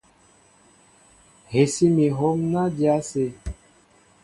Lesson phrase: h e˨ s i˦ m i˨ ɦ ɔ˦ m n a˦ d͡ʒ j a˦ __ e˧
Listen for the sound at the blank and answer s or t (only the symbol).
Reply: s